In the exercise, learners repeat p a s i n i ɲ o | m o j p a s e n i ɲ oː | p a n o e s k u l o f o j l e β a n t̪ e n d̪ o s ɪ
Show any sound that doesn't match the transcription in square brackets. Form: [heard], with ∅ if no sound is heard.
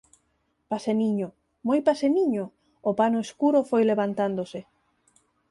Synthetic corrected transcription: p a s [e] n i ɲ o | m o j p a s e n i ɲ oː | p a n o e s k u [ɾ] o f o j l e β a n t̪ [a] n d̪ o s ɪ